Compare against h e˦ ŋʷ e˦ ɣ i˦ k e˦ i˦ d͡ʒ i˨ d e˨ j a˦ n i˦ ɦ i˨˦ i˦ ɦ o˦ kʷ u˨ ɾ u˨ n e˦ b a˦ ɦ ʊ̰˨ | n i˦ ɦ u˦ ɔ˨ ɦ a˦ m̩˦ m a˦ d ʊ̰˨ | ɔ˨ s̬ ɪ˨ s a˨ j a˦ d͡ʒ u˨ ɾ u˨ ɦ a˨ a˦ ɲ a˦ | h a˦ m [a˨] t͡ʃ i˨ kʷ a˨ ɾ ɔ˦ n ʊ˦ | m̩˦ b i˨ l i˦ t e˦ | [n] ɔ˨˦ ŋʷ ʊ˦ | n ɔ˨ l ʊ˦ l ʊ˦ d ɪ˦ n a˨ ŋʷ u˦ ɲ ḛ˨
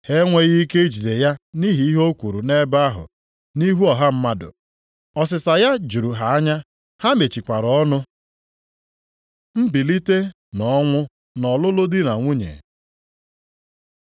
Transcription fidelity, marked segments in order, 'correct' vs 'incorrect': incorrect, correct

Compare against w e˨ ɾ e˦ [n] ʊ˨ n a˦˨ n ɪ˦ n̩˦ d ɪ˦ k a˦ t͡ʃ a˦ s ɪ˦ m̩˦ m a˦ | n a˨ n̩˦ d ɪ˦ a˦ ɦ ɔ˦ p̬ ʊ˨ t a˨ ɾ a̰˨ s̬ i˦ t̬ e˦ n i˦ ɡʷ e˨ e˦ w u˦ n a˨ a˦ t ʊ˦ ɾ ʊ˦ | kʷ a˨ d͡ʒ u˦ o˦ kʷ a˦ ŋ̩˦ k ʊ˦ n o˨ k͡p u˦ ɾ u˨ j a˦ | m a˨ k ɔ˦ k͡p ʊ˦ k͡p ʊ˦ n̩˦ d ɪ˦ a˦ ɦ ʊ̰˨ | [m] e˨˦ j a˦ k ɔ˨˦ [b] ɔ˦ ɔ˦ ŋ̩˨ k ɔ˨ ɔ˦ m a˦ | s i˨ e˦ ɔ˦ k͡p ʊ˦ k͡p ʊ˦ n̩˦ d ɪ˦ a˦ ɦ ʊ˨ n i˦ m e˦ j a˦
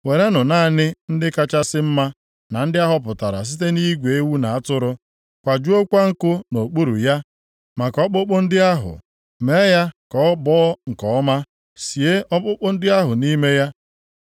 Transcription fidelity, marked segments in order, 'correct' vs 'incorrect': correct, correct, correct

